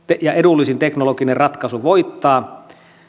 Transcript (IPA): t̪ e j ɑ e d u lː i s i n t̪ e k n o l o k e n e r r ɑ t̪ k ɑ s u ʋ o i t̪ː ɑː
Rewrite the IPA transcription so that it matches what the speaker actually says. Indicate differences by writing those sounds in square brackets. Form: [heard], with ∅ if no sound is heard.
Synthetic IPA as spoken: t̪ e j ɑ e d u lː i s i n t̪ e k n o l o k [i] n e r r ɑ t̪ k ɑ s u ʋ o i t̪ː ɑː

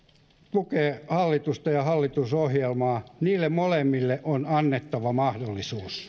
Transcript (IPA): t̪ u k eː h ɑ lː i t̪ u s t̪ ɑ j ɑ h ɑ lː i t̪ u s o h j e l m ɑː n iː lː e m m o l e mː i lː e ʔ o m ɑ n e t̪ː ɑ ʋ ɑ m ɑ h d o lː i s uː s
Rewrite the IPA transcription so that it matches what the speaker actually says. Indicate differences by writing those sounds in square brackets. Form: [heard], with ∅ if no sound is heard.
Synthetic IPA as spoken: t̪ u k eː h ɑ lː i t̪ u s t̪ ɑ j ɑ h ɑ lː i t̪ u s o h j e l m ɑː n iː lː e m m o l e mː i lː e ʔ o [n] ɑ [nː] e t̪ː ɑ ʋ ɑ m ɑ h d o lː i s uː s

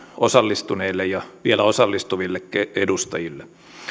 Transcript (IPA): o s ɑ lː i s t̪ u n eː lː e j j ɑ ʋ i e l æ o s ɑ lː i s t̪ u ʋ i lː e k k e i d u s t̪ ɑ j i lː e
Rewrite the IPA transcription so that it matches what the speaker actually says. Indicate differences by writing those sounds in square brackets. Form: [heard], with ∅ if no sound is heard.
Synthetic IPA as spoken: o s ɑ lː i s t̪ u n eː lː e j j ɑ ʋ i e l æ o s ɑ lː i s t̪ u ʋ i lː e k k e [e] d u s t̪ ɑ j i lː e

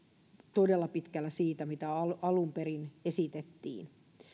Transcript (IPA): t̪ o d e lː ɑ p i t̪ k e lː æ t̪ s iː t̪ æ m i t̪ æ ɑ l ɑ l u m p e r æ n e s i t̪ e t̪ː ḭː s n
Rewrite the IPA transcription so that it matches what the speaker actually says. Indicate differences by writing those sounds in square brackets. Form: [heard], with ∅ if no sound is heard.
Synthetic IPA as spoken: t̪ o d e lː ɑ p i t̪ k [æ] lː æ [∅] s iː t̪ æ m i t̪ æ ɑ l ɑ l u m p e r [i] n e s i t̪ e t̪ː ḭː [∅] n

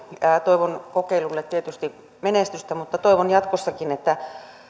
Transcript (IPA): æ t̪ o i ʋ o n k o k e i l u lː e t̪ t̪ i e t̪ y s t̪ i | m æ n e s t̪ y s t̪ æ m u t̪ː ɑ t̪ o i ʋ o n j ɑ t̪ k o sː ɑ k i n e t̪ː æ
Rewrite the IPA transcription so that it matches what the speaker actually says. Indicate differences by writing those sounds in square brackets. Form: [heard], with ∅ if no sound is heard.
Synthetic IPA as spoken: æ t̪ o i ʋ o n k o k e i l u lː e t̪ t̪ i e t̪ y s t̪ i | m [e] n e s t̪ y s t̪ æ m u t̪ː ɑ t̪ o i ʋ o n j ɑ t̪ k o sː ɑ k i n e t̪ː æ

